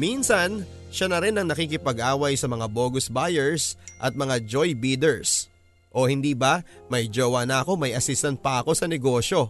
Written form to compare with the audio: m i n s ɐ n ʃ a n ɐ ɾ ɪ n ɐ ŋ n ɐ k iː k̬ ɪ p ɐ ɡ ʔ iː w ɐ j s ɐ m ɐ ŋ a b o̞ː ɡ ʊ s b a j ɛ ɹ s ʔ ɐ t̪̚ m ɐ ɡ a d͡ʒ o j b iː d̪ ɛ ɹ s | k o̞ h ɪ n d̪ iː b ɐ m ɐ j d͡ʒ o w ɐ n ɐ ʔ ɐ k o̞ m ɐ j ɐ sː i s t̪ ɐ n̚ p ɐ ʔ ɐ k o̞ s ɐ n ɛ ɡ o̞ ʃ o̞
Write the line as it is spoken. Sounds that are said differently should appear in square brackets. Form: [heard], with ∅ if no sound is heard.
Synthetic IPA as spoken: m i n s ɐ n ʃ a n ɐ ɾ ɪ n ɐ ŋ n ɐ k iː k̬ ɪ p ɐ ɡ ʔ [aː] w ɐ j s ɐ m ɐ ŋ a b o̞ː ɡ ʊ s b a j ɛ ɹ s ʔ ɐ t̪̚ m ɐ [ŋ] a d͡ʒ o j b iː d̪ ɛ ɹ s | [ʔ] o̞ h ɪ n d̪ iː b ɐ m ɐ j d͡ʒ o w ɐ n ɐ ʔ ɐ k o̞ m ɐ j ɐ [s] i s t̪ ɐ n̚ p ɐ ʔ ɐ k o̞ s ɐ n ɛ ɡ o̞ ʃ o̞